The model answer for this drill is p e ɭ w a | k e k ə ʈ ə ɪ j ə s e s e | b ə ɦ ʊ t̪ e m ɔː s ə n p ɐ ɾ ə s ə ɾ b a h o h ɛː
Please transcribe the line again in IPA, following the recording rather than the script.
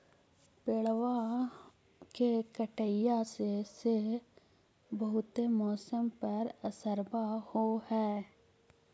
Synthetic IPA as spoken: p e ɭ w a | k e k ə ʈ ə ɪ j a s e s e | b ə ɦ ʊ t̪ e m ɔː s ə m p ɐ ɾ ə s ə ɾ b a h o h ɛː